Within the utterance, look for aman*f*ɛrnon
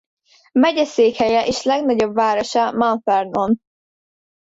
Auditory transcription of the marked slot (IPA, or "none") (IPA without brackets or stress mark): f